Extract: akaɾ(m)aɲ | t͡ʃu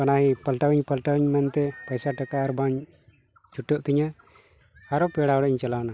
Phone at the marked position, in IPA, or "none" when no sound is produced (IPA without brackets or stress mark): b